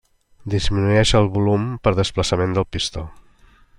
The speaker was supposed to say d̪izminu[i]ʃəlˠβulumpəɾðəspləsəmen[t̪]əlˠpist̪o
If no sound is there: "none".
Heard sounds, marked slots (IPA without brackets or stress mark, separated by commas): ɛ, d̪